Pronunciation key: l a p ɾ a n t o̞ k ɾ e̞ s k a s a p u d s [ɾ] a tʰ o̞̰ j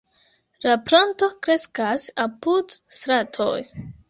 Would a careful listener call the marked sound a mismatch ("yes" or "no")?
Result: no